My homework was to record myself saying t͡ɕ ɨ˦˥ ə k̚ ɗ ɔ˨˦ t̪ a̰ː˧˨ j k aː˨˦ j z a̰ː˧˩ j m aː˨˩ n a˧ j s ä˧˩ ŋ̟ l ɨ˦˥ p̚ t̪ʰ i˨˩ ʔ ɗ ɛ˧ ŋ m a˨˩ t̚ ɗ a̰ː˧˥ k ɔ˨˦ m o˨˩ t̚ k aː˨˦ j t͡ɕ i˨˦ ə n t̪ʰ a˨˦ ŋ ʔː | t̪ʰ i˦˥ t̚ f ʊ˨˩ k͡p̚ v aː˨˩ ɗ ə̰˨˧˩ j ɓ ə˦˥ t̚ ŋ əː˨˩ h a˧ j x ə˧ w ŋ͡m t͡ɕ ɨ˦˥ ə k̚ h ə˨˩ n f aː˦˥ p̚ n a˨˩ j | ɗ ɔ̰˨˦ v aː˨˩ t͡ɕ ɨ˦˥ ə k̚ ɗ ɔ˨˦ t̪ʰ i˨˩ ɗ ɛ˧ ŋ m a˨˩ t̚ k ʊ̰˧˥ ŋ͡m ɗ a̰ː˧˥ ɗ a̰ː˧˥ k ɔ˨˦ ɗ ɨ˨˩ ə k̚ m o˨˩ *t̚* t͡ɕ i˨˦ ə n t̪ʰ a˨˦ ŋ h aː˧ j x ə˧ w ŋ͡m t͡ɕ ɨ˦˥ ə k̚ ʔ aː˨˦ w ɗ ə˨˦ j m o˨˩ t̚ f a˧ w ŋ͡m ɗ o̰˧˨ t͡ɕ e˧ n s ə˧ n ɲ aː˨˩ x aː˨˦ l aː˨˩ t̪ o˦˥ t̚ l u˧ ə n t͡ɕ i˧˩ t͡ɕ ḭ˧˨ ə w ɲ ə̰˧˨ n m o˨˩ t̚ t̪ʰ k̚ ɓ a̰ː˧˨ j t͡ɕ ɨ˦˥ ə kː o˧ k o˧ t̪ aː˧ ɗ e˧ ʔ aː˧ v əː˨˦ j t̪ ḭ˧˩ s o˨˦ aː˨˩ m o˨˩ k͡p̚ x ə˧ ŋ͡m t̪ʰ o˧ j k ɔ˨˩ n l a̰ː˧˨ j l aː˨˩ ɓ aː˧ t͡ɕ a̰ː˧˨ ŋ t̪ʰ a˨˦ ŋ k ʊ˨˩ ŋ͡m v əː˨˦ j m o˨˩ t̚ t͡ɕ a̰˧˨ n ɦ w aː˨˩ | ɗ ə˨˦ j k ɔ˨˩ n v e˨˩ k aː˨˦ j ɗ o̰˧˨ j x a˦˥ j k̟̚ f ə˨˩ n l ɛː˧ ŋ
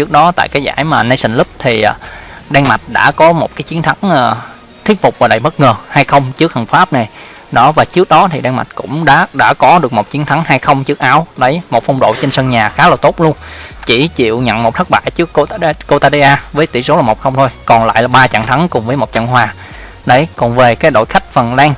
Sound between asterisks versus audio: correct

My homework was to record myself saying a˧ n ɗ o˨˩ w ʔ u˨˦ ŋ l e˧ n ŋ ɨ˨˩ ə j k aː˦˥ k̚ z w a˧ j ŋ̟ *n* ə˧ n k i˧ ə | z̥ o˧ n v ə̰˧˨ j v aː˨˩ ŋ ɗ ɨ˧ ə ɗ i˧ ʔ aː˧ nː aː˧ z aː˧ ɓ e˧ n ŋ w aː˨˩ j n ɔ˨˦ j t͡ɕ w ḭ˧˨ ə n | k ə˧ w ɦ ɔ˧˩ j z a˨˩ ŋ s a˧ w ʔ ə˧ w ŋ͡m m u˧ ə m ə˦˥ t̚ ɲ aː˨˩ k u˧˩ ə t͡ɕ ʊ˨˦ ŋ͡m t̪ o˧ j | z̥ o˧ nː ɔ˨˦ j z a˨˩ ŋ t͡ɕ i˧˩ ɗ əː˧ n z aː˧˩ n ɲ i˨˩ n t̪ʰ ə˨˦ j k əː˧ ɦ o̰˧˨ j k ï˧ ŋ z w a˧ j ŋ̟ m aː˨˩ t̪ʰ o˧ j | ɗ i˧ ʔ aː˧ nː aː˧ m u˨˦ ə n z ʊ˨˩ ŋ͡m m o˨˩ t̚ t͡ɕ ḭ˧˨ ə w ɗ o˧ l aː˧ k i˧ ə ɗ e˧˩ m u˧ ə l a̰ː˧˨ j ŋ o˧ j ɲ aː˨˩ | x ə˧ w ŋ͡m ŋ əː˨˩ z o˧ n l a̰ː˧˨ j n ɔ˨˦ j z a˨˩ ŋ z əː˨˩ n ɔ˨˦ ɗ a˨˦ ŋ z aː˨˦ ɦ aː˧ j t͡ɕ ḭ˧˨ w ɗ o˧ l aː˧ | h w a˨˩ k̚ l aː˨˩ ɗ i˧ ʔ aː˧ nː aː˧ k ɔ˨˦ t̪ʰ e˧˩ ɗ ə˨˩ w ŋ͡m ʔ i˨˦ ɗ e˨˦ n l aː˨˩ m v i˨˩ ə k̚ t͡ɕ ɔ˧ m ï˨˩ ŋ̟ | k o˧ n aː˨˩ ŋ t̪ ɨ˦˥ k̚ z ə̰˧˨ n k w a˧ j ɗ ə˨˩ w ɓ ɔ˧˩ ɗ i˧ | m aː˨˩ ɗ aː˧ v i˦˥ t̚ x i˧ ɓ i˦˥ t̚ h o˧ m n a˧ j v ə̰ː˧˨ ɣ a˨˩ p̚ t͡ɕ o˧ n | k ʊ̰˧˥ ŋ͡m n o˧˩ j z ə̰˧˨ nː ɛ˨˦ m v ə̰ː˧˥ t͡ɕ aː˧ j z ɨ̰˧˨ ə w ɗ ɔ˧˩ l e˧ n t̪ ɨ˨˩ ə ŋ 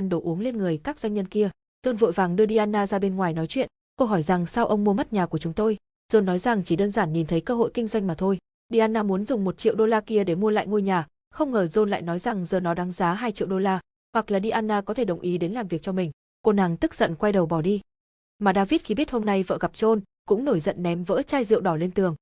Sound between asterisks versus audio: incorrect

